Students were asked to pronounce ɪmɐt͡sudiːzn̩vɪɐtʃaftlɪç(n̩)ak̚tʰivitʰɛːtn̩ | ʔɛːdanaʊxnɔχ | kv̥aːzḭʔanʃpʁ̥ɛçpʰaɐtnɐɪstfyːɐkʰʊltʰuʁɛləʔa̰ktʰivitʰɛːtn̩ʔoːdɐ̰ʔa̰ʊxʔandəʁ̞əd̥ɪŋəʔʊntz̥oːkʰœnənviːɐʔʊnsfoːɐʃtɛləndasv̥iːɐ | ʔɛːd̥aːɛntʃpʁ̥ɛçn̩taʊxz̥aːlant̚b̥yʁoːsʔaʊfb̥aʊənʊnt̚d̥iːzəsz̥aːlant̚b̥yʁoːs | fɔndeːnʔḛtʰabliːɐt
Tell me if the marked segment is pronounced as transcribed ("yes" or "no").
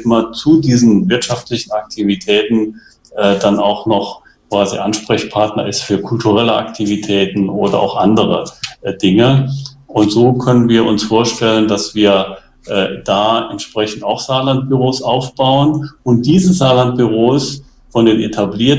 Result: yes